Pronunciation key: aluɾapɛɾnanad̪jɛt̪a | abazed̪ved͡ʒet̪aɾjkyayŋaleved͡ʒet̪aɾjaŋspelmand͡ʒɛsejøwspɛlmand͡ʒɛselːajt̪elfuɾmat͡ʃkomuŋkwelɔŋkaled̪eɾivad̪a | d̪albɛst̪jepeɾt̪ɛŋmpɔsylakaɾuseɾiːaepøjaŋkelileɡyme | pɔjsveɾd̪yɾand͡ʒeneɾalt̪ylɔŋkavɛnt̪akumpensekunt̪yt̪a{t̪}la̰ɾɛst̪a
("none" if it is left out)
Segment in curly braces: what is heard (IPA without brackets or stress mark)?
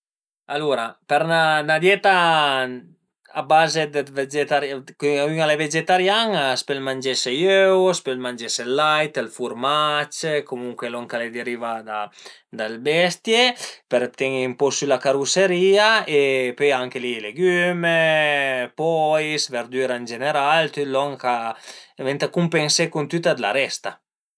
d̪